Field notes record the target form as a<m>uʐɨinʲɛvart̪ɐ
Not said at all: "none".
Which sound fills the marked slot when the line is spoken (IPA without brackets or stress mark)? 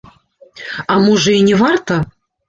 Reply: m